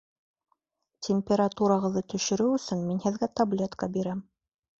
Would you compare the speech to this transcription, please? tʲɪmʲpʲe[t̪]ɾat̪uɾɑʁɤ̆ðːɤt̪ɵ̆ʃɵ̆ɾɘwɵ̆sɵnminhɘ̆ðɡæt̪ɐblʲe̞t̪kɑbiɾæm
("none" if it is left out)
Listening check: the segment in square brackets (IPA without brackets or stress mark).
none